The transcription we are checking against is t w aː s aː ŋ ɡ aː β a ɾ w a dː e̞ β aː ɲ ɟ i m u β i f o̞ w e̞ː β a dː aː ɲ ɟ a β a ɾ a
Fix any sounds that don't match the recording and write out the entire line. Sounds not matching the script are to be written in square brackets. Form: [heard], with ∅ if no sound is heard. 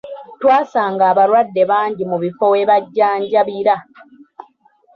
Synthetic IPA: t w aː s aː ŋ ɡ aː β a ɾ w a dː e̞ β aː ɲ ɟ i m u β i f o̞ w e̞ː β a [ɟː] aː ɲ ɟ a β [i] ɾ a